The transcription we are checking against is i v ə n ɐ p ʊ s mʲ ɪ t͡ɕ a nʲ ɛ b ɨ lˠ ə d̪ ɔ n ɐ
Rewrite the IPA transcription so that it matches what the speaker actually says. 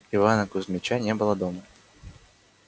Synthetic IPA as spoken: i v a n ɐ k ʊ z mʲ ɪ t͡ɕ a nʲ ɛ b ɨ lˠ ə d̪ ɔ m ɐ